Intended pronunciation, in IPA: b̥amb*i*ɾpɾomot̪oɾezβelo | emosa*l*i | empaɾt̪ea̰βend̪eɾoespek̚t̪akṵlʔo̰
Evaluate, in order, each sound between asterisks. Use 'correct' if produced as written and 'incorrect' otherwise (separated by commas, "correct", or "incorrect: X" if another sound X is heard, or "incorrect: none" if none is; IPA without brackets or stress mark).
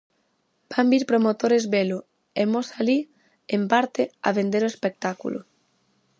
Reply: correct, correct